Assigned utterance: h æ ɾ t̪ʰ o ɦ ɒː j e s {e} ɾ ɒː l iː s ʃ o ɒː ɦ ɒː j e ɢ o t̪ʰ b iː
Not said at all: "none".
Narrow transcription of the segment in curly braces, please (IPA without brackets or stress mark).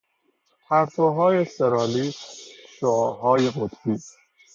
e